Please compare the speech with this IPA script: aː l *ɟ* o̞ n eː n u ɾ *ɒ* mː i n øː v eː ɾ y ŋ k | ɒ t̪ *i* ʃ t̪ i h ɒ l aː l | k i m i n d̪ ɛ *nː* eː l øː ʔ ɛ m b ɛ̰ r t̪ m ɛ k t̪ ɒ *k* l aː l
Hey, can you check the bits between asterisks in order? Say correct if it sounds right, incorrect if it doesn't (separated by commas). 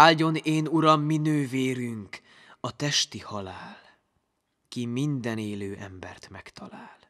correct, correct, incorrect, incorrect, incorrect